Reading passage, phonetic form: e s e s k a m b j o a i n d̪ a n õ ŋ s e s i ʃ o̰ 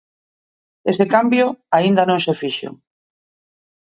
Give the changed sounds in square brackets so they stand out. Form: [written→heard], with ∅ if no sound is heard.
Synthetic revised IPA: e s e [s→∅] k a m b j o a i n d̪ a n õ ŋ s e [s→f] i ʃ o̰